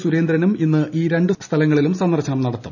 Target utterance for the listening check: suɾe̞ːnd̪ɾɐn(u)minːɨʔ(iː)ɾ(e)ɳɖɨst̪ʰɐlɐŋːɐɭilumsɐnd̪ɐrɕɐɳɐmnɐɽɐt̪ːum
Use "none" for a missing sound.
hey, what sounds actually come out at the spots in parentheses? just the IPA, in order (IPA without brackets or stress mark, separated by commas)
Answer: u, iː, e